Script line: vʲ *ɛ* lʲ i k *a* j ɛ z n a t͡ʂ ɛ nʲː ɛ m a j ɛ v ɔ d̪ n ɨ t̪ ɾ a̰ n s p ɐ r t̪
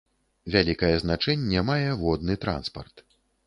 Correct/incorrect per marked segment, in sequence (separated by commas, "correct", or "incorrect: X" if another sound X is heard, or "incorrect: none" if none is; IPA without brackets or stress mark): incorrect: a, incorrect: ɐ